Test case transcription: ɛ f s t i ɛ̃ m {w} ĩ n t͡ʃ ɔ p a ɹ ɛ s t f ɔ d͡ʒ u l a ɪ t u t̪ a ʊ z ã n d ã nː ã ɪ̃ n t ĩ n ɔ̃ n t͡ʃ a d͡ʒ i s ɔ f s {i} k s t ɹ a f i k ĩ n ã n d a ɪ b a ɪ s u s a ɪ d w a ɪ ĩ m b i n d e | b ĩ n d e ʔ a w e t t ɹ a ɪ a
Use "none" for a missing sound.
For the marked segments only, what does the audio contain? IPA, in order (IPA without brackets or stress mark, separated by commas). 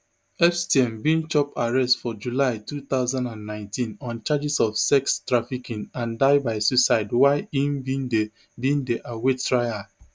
b, ɛ